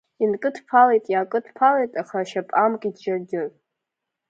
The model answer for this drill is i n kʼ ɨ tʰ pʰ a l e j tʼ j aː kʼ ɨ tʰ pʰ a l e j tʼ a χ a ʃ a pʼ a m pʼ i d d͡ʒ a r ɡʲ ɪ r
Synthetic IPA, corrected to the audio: i n kʼ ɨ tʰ pʰ a l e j tʼ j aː kʼ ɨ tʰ pʰ a l e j tʼ a χ a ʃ a pʼ a m kʼ i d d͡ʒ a r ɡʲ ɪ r